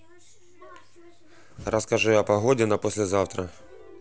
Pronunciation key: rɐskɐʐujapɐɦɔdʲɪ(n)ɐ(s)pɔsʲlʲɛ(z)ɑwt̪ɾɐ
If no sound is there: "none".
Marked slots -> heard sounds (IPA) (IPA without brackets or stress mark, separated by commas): n, none, z